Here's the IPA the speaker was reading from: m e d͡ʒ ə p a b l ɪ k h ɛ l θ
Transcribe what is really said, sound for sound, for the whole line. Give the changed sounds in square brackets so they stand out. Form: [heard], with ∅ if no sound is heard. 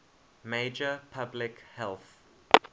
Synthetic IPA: m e d͡ʒ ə [pʰ] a b l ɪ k h ɛ l θ